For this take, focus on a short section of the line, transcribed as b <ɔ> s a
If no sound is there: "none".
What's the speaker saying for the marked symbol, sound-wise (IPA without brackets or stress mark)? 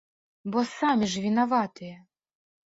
ɔ